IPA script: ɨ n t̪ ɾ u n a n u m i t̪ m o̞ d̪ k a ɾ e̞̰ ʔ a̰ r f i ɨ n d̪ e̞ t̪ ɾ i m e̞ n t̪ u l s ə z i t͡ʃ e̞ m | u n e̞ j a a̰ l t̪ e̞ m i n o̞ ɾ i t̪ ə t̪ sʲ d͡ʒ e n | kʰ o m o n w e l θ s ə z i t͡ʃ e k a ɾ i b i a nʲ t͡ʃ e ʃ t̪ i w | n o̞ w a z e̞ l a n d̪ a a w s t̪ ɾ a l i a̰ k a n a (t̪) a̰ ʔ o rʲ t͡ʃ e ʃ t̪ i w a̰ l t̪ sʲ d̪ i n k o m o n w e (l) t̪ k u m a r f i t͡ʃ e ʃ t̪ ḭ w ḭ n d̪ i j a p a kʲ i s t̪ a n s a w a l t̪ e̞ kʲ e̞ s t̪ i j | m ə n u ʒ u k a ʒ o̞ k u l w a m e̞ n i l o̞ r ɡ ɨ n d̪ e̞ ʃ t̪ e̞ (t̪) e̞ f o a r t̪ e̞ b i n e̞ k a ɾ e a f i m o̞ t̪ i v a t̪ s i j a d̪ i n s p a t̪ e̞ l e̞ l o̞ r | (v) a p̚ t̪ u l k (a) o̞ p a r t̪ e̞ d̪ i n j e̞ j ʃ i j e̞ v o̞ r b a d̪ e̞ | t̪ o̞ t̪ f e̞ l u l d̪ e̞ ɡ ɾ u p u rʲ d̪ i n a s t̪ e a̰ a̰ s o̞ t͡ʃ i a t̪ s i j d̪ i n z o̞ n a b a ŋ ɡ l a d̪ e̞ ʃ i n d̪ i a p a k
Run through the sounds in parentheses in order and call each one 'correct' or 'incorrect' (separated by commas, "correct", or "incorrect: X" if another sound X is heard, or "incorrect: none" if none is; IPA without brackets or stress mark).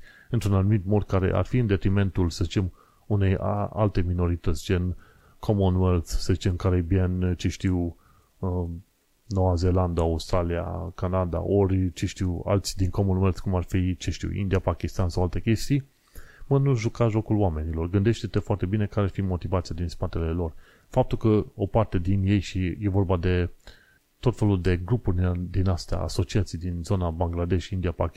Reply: incorrect: d̪, correct, correct, incorrect: f, incorrect: ə